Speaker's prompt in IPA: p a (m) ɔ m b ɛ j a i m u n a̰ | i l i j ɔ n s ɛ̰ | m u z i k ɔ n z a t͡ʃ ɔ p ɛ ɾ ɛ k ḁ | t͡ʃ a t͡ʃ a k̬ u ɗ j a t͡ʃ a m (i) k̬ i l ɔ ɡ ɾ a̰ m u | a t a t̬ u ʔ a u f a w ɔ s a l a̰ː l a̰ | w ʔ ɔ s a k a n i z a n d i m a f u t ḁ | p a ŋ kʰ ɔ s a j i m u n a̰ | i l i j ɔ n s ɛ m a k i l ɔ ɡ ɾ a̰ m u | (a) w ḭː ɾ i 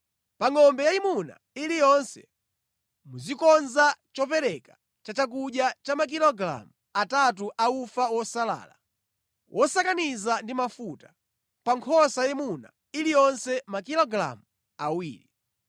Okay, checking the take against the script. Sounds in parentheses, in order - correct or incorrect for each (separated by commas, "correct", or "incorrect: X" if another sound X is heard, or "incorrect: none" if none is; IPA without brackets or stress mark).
incorrect: ŋ, incorrect: a, correct